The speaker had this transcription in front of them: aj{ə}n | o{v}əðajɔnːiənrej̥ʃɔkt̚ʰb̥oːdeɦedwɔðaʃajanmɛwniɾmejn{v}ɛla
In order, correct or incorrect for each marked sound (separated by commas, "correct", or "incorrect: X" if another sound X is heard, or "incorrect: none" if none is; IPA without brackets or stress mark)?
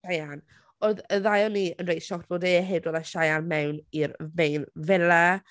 incorrect: a, incorrect: ð, correct